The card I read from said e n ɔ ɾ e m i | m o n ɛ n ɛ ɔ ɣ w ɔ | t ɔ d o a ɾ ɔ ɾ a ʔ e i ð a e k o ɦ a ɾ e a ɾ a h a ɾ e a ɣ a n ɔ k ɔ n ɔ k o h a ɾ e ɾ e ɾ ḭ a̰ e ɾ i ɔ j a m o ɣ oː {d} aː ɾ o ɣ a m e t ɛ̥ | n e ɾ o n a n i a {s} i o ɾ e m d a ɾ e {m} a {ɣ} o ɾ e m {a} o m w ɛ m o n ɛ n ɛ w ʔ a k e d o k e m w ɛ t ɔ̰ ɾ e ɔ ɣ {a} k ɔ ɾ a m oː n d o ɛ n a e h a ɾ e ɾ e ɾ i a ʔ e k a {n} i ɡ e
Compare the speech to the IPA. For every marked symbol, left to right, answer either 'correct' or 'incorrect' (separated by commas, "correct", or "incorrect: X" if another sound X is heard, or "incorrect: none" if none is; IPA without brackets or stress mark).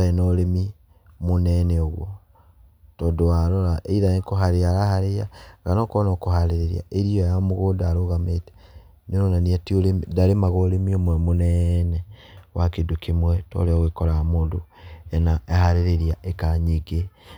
correct, incorrect: t, correct, correct, incorrect: i, incorrect: e, incorrect: ɲ